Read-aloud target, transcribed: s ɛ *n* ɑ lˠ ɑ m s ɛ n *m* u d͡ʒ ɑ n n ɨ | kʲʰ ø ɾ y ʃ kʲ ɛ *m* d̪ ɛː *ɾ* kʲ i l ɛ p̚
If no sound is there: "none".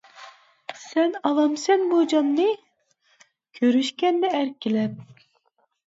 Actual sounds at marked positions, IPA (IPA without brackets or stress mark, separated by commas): n, b, n, ɾ